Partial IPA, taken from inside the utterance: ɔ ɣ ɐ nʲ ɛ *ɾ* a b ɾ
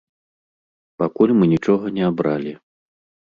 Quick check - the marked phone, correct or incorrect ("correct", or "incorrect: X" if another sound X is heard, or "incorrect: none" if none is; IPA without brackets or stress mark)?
incorrect: none